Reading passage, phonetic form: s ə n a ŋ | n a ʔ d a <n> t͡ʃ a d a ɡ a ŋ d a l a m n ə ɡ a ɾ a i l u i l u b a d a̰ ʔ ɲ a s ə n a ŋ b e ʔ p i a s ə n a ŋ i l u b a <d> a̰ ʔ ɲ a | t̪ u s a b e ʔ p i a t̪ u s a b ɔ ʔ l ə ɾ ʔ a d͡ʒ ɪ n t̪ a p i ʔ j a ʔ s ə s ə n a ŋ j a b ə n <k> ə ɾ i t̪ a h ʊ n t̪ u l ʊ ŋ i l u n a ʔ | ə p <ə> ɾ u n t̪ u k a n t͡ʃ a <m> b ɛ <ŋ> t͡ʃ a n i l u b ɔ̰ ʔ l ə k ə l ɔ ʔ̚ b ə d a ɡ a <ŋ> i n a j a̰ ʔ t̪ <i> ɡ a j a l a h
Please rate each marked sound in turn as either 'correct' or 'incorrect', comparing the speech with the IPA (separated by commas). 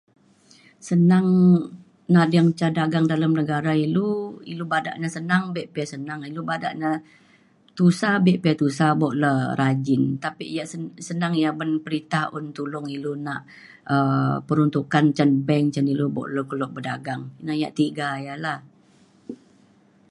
incorrect, correct, incorrect, correct, incorrect, correct, correct, correct